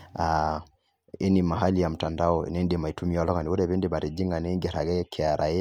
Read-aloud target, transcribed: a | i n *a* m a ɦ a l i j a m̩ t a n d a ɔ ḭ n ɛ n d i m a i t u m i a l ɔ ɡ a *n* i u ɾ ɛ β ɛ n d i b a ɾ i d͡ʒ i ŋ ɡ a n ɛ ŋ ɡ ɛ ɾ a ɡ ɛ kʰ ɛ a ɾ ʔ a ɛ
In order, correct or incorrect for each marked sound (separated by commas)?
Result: incorrect, correct